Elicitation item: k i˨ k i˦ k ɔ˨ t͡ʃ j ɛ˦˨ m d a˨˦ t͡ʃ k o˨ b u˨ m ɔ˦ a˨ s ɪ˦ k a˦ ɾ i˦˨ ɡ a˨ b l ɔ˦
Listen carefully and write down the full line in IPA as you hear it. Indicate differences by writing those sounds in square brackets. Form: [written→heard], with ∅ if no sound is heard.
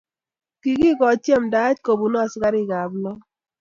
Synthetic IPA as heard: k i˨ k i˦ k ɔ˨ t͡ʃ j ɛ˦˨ m d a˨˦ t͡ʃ k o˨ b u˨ [m→n] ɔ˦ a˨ s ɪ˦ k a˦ ɾ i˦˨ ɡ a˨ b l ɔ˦